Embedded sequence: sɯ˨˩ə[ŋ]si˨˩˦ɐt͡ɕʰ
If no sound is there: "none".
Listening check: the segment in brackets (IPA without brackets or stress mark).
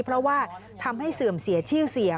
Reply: m